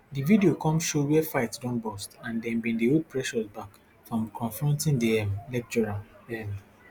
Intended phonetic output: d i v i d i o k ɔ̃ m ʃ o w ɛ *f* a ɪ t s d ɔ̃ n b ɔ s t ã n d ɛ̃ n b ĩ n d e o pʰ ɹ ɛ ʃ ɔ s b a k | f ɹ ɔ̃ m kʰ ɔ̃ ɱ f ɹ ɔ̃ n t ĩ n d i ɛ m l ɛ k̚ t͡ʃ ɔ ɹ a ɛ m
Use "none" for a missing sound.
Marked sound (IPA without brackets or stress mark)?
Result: f